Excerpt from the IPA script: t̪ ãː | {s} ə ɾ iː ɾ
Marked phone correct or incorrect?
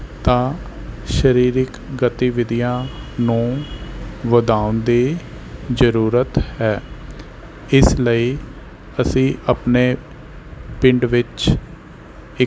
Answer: incorrect